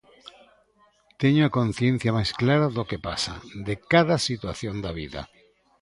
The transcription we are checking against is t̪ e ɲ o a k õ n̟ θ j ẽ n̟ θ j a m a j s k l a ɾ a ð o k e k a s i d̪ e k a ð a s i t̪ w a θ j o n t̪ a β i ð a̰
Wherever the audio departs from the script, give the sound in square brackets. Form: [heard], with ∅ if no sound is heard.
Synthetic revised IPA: t̪ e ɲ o a k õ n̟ θ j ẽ n̟ θ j a m a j s k l a ɾ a ð o k e [p] a s [a] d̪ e k a ð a s i t̪ w a θ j o n [d̪] a β i ð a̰